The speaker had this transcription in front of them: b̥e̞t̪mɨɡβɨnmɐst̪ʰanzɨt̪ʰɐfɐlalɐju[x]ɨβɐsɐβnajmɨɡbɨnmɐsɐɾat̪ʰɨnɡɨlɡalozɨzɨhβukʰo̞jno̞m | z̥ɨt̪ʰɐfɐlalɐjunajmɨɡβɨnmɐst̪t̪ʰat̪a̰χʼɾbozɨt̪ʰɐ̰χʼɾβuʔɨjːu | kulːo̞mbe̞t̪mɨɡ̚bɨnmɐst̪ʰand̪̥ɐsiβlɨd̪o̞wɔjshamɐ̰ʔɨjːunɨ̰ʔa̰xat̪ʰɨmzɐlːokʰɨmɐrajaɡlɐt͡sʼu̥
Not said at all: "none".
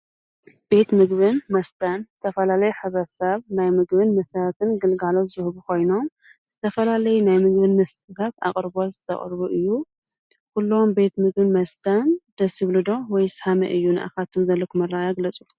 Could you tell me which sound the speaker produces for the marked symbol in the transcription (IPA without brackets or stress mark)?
ħ